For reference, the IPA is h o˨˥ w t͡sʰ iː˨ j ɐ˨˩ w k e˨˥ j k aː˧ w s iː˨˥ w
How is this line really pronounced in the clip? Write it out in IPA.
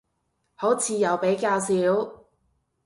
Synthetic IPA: h o˨˥ w t͡sʰ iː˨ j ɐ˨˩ w p e˨˥ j k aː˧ w s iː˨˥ w

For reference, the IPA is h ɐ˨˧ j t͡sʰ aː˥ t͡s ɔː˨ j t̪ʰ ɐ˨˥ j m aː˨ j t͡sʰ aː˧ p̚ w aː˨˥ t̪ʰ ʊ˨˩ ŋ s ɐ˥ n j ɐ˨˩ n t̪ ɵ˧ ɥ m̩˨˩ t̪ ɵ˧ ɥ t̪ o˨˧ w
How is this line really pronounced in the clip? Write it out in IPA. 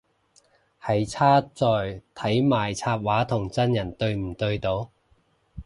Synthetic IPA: h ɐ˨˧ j t͡sʰ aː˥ t͡s ɔː˨ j t̪ʰ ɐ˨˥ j m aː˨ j t͡sʰ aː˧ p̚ w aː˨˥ t̪ʰ ʊ˨˩ ŋ t͡s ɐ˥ n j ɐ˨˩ n t̪ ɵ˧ ɥ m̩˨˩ t̪ ɵ˧ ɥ t̪ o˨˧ w

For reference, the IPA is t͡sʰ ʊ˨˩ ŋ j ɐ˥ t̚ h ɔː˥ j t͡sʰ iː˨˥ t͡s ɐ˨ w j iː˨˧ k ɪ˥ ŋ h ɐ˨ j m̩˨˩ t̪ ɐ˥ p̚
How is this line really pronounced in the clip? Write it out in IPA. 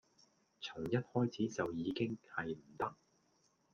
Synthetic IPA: t͡sʰ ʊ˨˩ ŋ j ɐ˥ t̚ h ɔː˥ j t͡sʰ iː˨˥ t͡s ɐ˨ w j iː˨˧ k ɪ˥ ŋ h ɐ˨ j m̩˨˩ t̪ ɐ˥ k̚

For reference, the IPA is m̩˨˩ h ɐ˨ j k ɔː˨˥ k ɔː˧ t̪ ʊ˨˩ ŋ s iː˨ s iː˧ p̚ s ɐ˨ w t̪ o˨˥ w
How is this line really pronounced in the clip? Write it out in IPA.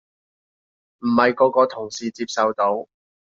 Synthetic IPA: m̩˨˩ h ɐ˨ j k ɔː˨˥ k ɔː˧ t̪ʰ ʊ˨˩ ŋ s iː˨ t͡s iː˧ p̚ s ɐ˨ w t̪ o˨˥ w

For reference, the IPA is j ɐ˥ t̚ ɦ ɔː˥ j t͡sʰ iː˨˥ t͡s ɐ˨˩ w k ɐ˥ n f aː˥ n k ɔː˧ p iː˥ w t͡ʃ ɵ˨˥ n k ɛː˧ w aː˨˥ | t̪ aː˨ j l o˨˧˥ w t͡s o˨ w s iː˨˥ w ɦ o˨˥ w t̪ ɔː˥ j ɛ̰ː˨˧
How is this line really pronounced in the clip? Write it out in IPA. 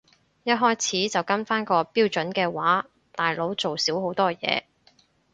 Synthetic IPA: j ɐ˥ t̚ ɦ ɔː˥ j t͡sʰ iː˨˥ t͡s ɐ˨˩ w k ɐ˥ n f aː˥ n k ɔː˧ p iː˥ w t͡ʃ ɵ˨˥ n k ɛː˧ w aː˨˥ | t̪ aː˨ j l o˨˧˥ w t͡s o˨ w s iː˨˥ w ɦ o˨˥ w t̪ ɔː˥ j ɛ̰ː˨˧

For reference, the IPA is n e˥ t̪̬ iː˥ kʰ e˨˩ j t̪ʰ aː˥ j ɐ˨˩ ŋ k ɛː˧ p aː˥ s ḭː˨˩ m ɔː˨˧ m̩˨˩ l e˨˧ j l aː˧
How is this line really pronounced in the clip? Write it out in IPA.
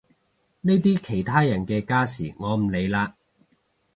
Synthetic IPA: n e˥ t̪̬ iː˥ kʰ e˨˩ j t̪ʰ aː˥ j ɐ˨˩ n k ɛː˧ k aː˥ s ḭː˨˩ ŋ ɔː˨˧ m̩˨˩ l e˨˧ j l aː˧

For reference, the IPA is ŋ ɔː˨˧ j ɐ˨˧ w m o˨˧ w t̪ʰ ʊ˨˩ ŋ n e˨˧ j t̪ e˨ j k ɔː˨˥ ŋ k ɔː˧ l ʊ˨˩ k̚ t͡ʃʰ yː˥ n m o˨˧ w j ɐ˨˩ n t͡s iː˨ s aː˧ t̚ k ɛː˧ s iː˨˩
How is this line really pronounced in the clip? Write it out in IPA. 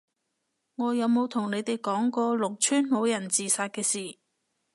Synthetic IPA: ŋ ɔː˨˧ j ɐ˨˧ w m o˨˧ w t̪ʰ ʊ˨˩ ŋ n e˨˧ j t̪ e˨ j k ɔː˨˥ ŋ k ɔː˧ l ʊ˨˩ k̚ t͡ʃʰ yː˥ n m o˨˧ w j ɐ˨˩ n t͡s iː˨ s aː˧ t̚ k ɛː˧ s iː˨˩

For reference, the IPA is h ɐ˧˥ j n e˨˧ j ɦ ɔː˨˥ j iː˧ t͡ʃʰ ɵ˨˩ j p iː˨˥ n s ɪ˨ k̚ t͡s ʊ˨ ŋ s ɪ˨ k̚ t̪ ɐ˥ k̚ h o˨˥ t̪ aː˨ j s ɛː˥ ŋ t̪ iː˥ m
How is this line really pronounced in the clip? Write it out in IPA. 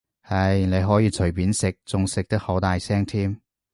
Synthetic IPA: h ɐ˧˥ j n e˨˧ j ɦ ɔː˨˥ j iː˧ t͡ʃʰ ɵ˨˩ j p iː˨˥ n s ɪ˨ k̚ t͡s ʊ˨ ŋ s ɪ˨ k̚ t̪ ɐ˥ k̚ h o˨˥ t̪ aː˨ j s ɛː˥ ŋ t̪ʰ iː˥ m

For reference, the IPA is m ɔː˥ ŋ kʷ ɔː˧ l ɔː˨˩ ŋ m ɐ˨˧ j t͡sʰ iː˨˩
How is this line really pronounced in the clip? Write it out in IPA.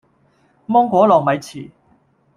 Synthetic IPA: m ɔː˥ ŋ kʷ ɔː˨˥ l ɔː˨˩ ŋ m ɐ˨˧ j t͡sʰ iː˨˩

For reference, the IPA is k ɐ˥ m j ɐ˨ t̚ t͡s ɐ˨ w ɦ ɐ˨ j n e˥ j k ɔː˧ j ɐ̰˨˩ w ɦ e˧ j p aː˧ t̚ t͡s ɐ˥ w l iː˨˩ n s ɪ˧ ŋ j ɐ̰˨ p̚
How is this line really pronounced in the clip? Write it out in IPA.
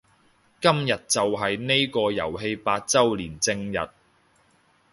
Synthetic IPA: k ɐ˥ m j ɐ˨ t̚ t͡s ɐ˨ w ɦ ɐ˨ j n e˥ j k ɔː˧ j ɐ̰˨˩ w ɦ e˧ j p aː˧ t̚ t͡s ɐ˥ w l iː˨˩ n t͡s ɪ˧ ŋ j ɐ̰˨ t̚

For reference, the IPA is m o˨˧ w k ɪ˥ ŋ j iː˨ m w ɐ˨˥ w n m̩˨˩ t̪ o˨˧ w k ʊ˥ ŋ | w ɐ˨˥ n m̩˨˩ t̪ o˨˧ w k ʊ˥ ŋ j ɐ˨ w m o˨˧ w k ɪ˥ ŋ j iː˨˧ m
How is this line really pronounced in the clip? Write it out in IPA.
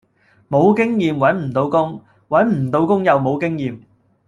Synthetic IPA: m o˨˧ w k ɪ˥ ŋ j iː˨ m w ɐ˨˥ n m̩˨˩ t̪ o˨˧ w k ʊ˥ ŋ | w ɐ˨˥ n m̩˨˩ t̪ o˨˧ w k ʊ˥ ŋ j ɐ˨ w m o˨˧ w k ɪ˥ ŋ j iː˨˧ m

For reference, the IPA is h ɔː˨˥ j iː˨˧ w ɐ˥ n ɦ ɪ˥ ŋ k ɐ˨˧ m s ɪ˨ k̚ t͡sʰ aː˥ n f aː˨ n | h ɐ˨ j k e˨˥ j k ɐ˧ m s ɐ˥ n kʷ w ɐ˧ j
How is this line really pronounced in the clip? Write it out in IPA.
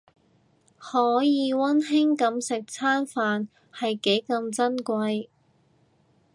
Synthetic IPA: h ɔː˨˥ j iː˨˧ w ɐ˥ n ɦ ɪ˥ ŋ k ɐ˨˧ m s ɪ˨ k̚ t͡sʰ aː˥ n f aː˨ n | h ɐ˨ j k e˨˥ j k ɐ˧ m t͡s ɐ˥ n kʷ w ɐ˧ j

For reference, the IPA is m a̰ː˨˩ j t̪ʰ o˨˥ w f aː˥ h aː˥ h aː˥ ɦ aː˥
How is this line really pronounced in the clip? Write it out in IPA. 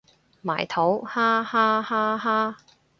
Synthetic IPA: m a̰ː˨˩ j t̪ʰ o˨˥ w h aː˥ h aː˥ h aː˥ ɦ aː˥

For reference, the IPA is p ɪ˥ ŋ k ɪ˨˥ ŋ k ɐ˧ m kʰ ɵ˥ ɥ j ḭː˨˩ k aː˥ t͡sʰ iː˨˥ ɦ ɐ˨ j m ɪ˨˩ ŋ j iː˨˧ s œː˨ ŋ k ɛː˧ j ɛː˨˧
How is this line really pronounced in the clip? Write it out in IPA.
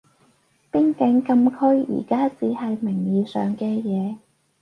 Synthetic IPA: p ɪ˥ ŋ k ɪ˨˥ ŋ k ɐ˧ m kʰ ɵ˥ ɥ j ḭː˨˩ k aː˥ t͡s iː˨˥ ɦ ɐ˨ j m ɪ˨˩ ŋ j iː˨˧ s œː˨ ŋ k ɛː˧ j ɛː˨˧

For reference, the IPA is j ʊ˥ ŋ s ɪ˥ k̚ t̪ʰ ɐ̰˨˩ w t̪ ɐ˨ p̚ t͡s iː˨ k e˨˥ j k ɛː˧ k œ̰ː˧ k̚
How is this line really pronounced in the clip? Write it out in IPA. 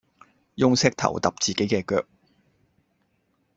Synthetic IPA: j ʊ˥ ŋ s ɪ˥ k̚ t̪ʰ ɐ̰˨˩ w t̪ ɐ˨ p̚ t͡s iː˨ k e˨˥ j k ɛː˧ k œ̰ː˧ k̚

